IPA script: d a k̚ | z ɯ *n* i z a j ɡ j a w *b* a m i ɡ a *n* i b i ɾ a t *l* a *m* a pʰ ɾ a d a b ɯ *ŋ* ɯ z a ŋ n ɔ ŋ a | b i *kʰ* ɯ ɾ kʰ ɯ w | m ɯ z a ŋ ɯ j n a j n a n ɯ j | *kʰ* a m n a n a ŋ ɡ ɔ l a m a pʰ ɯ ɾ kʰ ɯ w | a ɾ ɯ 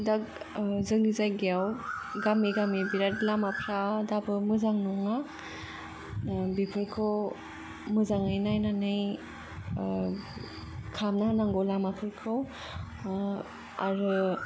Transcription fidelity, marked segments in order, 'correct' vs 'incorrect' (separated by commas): incorrect, incorrect, incorrect, correct, correct, incorrect, incorrect, correct